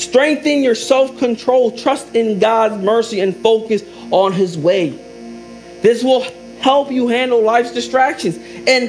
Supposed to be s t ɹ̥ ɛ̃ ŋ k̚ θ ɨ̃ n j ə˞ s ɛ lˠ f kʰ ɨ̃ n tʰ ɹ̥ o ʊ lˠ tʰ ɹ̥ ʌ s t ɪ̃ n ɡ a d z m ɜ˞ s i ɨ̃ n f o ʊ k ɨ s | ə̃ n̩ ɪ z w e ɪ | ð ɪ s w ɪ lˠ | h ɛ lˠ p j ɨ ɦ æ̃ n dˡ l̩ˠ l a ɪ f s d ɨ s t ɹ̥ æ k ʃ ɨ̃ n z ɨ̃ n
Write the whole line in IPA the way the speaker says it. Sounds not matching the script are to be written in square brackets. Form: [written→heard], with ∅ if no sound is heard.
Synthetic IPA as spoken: s t ɹ̥ ɛ̃ ŋ k̚ θ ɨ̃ n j ə˞ s ɛ lˠ f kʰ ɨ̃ n tʰ ɹ̥ o ʊ lˠ tʰ ɹ̥ ʌ s t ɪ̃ n ɡ [a→ɑ] d z m ɜ˞ s i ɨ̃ n f o ʊ k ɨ s | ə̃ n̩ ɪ z w e ɪ | ð ɪ s w ɪ lˠ | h ɛ lˠ p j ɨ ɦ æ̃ n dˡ l̩ˠ l a ɪ f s d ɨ s t ɹ̥ æ k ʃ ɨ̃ n z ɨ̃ n